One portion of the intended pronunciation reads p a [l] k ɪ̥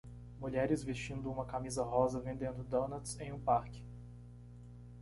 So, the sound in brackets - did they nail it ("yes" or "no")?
no